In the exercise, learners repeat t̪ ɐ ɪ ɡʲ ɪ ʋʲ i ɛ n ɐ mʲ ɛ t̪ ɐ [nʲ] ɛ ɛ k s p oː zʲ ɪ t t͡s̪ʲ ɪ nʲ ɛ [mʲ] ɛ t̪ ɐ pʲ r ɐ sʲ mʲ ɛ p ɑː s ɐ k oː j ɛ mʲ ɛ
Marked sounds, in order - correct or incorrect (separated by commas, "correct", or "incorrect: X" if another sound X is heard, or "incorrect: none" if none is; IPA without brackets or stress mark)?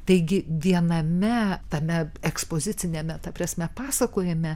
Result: incorrect: mʲ, correct